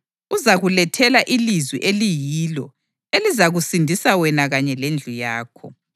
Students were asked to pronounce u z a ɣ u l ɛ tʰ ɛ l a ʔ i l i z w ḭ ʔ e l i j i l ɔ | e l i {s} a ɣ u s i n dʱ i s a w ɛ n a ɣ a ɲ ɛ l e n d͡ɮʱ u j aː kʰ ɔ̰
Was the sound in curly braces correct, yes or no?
no